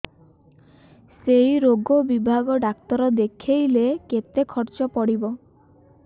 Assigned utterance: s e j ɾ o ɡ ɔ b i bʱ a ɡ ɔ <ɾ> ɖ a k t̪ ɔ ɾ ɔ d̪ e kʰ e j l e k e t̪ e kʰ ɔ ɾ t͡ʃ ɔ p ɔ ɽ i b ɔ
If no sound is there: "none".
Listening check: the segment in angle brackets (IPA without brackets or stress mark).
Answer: none